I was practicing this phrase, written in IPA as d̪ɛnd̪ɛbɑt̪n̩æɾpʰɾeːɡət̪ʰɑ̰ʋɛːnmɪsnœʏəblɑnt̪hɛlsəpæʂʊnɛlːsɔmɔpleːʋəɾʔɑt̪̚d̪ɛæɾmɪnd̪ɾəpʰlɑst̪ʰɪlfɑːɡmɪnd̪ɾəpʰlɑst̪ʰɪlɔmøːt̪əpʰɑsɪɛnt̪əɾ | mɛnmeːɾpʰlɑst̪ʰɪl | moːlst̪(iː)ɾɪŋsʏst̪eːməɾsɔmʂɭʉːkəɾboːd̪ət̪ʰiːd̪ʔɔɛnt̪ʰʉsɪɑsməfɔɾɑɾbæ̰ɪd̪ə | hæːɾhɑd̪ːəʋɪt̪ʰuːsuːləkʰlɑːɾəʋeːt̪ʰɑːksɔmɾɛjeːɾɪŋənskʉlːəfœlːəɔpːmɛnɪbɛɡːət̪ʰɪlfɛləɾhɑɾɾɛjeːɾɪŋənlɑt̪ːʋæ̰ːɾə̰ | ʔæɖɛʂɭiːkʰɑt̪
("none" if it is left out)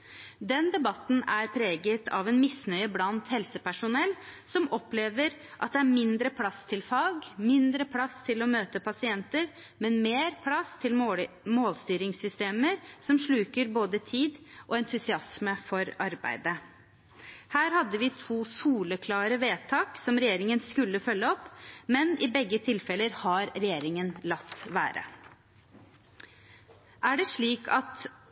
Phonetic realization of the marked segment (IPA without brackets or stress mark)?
yː